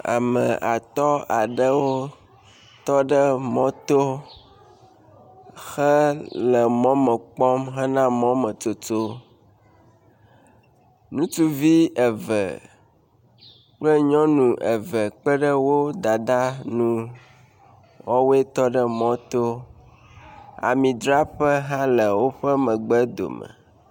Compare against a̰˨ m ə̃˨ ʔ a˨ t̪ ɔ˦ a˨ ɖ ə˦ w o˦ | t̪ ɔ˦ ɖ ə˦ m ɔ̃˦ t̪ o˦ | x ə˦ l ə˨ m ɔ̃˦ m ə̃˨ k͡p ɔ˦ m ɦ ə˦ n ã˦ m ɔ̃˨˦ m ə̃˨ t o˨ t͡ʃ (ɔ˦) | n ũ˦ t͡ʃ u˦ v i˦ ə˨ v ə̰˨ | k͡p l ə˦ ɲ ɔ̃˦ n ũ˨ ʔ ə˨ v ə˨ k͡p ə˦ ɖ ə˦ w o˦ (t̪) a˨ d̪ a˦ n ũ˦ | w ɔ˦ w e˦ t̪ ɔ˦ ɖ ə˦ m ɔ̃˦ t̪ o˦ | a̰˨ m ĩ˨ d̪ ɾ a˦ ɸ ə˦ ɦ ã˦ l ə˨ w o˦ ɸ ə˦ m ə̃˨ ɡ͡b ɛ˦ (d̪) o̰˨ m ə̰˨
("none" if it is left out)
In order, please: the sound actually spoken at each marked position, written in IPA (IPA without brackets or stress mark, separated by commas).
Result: o˦, d̪, d̪